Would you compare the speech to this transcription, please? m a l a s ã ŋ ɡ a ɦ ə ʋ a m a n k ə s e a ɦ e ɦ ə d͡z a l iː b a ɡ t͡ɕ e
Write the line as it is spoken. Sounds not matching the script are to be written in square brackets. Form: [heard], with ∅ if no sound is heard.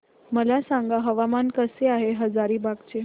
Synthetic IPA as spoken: m [ə] l a s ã ŋ ɡ a ɦ ə ʋ a m a n k ə s e a ɦ e ɦ ə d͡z a [ɾ] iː b a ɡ t͡ɕ e